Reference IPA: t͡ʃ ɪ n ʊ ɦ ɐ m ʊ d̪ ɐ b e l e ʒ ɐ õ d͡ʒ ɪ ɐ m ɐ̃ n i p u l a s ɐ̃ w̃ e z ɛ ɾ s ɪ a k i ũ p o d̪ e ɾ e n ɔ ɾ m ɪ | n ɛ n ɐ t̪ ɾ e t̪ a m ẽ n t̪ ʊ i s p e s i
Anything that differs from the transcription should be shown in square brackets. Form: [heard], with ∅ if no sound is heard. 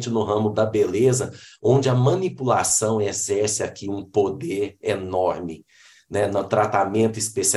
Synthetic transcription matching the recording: t͡ʃ ɪ n ʊ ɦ [ɐ̃] m ʊ d̪ ɐ b e l e [z] ɐ õ d͡ʒ ɪ ɐ m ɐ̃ n i p u l a s ɐ̃ w̃ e z ɛ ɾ s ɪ a k i ũ p o d̪ e ɾ e n ɔ ɾ m ɪ | n ɛ n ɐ t̪ ɾ [a] t̪ a m ẽ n t̪ ʊ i s p e s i